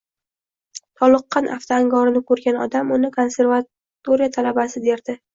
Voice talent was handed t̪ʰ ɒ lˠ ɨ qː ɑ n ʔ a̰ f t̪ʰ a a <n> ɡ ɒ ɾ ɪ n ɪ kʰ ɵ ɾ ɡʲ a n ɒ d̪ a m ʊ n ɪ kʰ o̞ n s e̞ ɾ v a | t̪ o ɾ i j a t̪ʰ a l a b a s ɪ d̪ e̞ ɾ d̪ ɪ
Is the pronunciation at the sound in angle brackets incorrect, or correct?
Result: incorrect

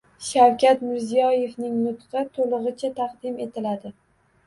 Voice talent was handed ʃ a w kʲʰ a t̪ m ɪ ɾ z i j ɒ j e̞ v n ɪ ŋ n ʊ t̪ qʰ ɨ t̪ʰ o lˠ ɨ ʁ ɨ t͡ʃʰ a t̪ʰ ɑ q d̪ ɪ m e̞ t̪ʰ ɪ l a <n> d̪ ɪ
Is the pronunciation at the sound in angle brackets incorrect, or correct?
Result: incorrect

